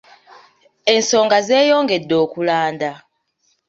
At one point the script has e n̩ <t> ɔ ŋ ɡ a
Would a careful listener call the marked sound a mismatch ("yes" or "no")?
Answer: yes